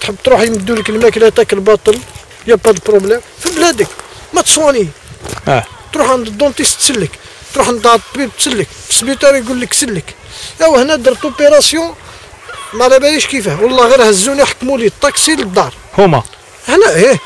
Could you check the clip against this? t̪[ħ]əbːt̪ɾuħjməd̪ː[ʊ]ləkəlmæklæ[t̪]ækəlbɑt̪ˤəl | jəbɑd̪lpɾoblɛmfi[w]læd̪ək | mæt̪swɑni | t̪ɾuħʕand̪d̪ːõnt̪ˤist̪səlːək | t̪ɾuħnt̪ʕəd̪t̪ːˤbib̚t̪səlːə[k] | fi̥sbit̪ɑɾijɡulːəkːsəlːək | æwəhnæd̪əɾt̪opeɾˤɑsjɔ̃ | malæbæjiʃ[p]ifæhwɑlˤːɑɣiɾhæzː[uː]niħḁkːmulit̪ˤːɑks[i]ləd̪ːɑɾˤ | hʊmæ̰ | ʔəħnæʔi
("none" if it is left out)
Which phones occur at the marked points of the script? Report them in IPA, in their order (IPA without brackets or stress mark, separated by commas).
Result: ħ, u, t̪, b, k, k, u, i